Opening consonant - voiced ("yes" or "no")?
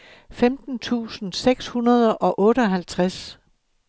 no